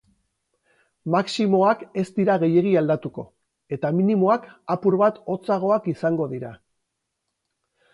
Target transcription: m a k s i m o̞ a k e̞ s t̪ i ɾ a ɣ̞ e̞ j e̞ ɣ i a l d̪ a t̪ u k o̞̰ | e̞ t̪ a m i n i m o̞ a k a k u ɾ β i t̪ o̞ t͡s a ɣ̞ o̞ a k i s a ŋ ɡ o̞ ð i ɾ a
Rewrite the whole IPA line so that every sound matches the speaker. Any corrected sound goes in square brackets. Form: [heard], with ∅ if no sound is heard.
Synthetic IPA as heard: m a k s i m o̞ a k e̞ s t̪ i ɾ a ɣ̞ e̞ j e̞ ɣ i a l d̪ a t̪ u k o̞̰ | e̞ t̪ a m i n i m o̞ a k a [p] u ɾ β [a] t̪ o̞ t͡s a ɣ̞ o̞ a k i s a ŋ ɡ o̞ ð i ɾ a